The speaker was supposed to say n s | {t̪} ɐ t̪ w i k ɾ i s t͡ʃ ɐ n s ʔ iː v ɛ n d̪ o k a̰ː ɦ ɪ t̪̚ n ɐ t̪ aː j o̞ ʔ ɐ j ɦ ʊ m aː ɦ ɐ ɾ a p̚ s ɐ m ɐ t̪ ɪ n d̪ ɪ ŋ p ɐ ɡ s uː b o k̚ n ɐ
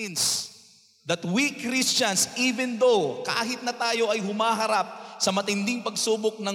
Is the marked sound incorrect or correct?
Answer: incorrect